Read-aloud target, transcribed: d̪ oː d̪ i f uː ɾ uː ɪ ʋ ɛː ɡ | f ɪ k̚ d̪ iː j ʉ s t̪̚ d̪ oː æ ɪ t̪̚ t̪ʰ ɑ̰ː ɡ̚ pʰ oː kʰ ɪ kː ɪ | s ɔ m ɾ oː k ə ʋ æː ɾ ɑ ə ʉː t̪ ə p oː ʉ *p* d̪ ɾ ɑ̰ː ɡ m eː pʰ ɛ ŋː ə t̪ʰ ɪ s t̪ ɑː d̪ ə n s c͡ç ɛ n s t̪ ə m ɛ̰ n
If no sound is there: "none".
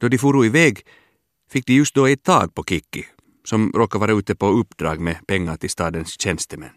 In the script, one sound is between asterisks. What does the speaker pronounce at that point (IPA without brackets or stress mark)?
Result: p